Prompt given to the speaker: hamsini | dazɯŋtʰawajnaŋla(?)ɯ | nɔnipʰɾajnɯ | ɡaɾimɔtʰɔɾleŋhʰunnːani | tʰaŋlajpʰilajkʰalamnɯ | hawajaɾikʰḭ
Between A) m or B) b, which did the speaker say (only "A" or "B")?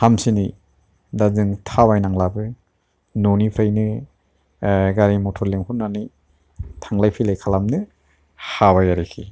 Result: B